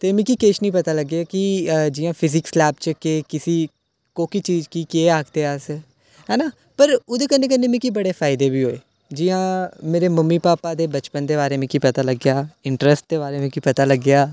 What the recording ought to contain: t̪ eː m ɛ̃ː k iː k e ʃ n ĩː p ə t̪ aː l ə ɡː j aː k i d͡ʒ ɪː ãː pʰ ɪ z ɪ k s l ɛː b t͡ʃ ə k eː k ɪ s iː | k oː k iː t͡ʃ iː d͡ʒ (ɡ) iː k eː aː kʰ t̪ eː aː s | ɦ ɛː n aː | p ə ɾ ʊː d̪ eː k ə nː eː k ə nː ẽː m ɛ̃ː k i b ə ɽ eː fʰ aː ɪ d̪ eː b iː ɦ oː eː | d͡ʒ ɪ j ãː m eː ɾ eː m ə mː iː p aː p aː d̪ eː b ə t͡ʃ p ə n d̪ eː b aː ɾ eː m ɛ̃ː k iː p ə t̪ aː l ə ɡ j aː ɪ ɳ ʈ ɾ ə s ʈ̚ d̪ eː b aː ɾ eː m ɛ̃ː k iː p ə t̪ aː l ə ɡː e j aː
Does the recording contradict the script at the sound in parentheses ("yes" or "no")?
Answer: yes